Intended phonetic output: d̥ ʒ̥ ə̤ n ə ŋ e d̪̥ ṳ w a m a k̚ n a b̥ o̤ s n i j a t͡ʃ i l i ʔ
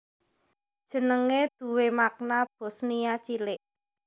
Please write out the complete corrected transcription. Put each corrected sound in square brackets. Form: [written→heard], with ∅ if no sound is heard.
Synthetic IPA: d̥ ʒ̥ ə̤ n ə ŋ e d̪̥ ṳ w [a→e] m a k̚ n a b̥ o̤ s n i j a t͡ʃ i l [i→ɪ] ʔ